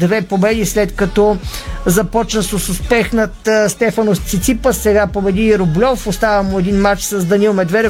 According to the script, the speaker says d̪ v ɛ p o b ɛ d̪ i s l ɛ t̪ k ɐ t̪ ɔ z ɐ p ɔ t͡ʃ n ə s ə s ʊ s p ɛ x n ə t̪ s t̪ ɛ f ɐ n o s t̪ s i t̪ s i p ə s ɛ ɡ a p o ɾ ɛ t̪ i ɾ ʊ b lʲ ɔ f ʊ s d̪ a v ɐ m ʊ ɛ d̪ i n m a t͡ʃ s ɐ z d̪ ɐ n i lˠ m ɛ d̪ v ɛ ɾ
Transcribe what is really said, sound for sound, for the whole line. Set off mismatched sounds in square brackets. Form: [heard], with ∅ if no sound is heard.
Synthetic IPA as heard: d̪ v ɛ p o b ɛ d̪ i s l ɛ t̪ k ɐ t̪ ɔ z ɐ p ɔ t͡ʃ n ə s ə s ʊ s p ɛ x n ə t̪ s t̪ ɛ f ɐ n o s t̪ s i t̪ s i p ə s ɛ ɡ a p o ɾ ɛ [d̪] i ɾ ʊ b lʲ ɔ f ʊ s [t̪] a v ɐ m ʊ ɛ d̪ i n m a t͡ʃ s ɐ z d̪ ɐ n i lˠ m ɛ d̪ v ɛ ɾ